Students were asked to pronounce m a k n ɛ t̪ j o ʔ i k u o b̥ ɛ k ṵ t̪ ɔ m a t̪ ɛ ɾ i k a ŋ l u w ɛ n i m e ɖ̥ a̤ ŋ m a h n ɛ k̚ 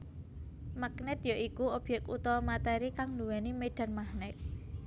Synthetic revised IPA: m a k n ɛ t̪ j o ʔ i k u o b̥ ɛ k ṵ t̪ ɔ m a t̪ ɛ ɾ i k a ŋ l u w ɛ n i m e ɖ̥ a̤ n m a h n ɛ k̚

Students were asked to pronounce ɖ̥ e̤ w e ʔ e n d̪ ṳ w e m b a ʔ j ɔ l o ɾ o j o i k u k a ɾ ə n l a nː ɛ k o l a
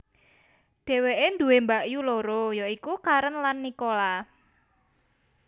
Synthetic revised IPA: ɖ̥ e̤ w e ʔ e n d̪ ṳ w e m b a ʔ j u l o ɾ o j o i k u k a ɾ ə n l a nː i k o l a

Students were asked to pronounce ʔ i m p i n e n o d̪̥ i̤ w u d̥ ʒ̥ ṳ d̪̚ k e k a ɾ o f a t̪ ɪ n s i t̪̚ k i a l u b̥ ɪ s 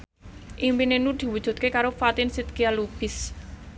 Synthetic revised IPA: ʔ i m p i n e n u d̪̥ i̤ w u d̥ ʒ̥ ṳ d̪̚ k e k a ɾ o f a t̪ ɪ n s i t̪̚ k i a l u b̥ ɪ s

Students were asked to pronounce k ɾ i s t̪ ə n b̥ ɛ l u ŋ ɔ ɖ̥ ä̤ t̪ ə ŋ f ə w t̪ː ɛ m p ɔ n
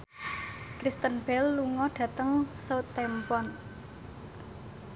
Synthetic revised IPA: k ɾ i s t̪ ə n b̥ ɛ lː u ŋ ɔ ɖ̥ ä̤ t̪ ə ŋ s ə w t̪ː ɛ m p ɔ n

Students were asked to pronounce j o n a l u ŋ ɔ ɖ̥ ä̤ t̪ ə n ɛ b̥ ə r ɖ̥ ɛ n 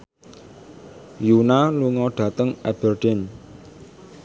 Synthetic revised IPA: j u n a l u ŋ ɔ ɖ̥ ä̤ t̪ ə ŋ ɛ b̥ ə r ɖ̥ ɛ n

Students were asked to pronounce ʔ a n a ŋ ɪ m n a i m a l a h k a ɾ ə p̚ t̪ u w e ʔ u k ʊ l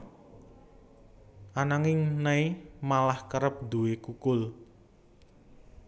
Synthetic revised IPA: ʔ a n a ŋ ɪ ŋ n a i m a l a h k ə ɾ ə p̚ d̪ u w e k u k ʊ l

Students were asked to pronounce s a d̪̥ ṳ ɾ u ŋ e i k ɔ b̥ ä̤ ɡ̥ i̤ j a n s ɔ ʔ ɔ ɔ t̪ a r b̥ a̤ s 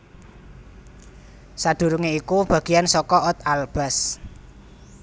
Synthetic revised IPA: s a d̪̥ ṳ ɾ u ŋ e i k u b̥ ä̤ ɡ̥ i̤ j a n s ɔ k ɔ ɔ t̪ a l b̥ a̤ s

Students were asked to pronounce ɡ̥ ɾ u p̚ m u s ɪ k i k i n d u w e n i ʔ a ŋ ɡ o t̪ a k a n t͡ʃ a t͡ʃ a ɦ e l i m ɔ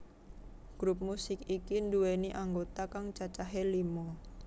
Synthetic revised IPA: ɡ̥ ɾ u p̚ m u s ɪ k i k i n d u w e n i ʔ a ŋ ɡ o t̪ a k a ŋ t͡ʃ a t͡ʃ a ɦ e l i m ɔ

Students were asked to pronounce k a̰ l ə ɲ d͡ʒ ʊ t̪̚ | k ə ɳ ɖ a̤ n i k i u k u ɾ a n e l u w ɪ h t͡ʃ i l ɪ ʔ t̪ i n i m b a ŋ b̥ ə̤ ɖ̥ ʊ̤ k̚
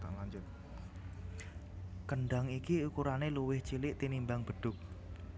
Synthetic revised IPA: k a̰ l a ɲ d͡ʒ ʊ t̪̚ | k ə ɳ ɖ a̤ ŋ i k i u k u ɾ a n e l u w ɪ h t͡ʃ i l ɪ ʔ t̪ i n i m b a ŋ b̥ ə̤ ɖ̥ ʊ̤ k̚

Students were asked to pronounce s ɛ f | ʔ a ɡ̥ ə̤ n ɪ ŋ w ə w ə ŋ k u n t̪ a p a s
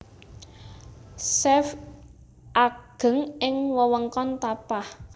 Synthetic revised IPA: s ɛ f | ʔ a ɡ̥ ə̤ ŋ ɪ ŋ w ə w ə ŋ k ɔ n t̪ a p a h

